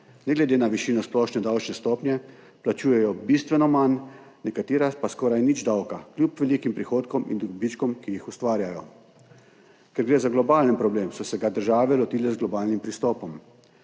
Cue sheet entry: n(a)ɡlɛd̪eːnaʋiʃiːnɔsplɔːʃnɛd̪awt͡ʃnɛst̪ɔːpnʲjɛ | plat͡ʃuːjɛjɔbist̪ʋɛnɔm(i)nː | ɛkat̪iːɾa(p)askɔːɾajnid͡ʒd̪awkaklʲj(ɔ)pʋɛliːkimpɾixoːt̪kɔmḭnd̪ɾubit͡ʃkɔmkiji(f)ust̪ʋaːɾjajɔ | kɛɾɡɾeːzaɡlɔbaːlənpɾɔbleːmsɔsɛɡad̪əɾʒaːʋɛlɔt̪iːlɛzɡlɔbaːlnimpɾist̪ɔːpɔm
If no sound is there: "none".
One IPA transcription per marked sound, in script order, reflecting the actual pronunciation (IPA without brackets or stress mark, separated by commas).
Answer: ɛ, a, p, u, x